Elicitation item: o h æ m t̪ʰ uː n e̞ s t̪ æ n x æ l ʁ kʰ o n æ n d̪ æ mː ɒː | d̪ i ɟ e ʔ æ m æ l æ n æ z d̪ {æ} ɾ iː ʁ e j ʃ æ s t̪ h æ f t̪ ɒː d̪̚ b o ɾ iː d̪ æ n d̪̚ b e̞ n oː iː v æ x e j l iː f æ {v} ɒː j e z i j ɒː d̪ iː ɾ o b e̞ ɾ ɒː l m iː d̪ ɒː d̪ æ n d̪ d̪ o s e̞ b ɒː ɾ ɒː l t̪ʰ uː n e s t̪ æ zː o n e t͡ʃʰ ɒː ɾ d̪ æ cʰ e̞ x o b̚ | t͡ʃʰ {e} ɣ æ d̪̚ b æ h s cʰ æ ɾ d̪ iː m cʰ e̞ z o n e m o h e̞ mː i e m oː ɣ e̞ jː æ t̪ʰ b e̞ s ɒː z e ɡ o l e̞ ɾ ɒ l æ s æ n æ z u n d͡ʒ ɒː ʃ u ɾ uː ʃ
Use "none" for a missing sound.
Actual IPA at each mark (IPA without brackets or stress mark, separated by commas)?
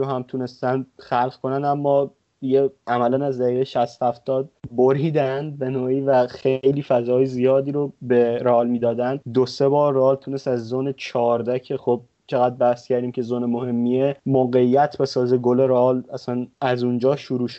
æ, z, e